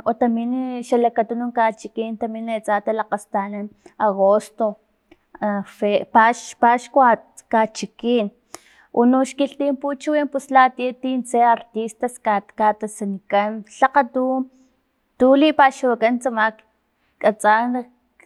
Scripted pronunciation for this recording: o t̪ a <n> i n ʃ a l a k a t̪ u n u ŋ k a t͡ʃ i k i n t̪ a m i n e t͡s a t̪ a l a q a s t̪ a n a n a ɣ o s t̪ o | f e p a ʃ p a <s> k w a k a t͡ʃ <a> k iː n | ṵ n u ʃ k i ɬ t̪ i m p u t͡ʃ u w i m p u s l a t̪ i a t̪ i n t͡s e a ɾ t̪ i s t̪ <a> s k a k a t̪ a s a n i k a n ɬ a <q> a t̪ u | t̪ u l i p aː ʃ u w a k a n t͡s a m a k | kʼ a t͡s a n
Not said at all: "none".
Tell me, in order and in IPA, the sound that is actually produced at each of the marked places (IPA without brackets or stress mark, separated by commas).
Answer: m, ʃ, i, a, q